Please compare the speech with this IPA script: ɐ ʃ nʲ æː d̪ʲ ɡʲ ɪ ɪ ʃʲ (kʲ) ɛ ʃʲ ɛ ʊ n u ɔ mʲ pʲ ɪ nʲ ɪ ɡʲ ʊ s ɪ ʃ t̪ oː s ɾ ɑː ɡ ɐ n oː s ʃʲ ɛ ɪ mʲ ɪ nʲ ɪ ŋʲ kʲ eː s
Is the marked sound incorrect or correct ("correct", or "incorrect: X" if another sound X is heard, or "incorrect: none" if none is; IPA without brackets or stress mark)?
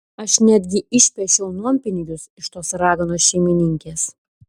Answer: incorrect: pʲ